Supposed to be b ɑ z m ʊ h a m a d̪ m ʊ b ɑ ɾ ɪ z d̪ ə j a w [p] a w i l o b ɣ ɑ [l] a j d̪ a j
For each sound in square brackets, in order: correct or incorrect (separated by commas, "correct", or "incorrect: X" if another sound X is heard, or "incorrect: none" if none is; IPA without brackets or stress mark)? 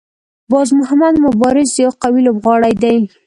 incorrect: q, incorrect: ɽ